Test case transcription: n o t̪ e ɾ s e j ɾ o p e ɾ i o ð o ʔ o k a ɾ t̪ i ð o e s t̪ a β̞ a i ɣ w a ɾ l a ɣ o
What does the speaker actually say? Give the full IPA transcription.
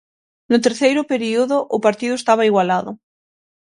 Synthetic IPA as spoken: n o t̪ e ɾ θ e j ɾ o p e ɾ i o ð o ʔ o p a ɾ t̪ i ð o e s t̪ a β̞ a i ɣ w a l a ð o

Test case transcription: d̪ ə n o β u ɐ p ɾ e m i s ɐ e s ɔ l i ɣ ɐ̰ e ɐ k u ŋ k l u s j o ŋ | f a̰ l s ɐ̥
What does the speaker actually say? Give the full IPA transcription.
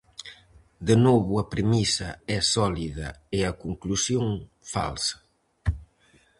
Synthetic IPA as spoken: d̪ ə n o β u ɐ p ɾ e m i s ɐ ɛ s ɔ l i ð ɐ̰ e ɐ k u ŋ k l u s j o ŋ | f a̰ l s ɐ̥

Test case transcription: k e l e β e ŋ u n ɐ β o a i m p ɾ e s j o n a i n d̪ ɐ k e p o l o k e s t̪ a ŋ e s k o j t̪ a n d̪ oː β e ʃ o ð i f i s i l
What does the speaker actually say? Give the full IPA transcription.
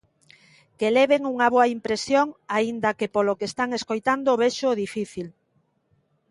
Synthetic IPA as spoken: k e l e β e ŋ u ŋ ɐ β o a i m p ɾ e s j o ŋ a i n d̪ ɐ k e p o l o k e s t̪ a ŋ e s k o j t̪ a n d̪ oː β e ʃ o ð i f i θ i l

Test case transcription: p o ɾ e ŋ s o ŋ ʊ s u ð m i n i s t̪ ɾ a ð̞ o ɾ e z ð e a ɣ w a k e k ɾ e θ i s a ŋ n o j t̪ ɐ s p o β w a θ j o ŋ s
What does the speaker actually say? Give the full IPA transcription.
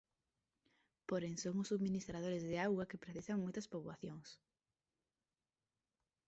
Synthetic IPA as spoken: p o ɾ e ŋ s o ŋ ʊ s u ð m i n i s t̪ ɾ a ð̞ o ɾ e z ð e a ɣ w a k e p ɾ e θ i s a ŋ m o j t̪ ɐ s p o β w a θ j o ŋ s

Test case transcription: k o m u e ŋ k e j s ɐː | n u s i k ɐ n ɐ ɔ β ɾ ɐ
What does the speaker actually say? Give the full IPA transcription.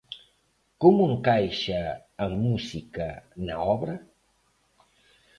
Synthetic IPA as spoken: k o m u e ŋ k a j ʃ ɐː | m u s i k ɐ n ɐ ɔ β ɾ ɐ

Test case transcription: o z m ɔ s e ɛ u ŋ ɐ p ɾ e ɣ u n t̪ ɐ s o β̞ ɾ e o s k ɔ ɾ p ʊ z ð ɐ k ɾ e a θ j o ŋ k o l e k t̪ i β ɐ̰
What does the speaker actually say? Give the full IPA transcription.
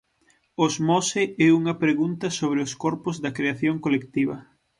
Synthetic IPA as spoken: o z m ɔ s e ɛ u ŋ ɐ p ɾ e ɣ u n t̪ ɐ s o β̞ ɾ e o s k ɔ ɾ p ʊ z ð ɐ k ɾ e a θ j o ŋ k o l e k t̪ i β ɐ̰

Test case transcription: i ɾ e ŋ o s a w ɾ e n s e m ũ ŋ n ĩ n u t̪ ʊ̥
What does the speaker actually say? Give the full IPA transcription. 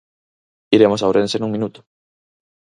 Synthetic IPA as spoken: i ɾ e m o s a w ɾ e n s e n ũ ŋ m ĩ n u t̪ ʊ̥

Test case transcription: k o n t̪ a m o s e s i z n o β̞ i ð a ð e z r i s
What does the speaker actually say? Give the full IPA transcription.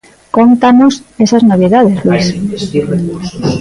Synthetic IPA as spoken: k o n t̪ a n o s e s a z n o β̞ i ð a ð e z l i s

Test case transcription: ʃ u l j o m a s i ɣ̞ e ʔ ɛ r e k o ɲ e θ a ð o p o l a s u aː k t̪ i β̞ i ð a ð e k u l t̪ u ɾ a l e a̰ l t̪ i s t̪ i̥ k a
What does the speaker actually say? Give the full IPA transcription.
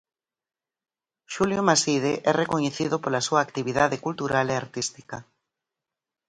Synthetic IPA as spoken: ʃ u l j o m a s i ð̞ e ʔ ɛ r e k o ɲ e θ i ð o p o l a s u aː k t̪ i β̞ i ð a ð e k u l t̪ u ɾ a l e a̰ ɾ t̪ i s t̪ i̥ k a

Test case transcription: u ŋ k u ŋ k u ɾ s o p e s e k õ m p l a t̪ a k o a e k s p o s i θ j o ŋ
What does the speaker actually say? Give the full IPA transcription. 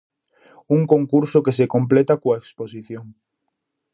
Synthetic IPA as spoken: u ŋ k o ŋ k u ɾ s o k e s e k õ m p l e t̪ a k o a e k s p o s i θ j o ŋ

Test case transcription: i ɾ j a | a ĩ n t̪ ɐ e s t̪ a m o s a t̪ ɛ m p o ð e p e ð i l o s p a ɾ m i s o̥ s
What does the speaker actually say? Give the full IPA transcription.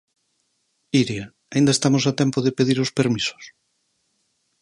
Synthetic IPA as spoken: i ɾ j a | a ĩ n d̪ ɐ e s t̪ a m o s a t̪ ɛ m p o ð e p e ð i ɾ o s p e ɾ m i s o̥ s

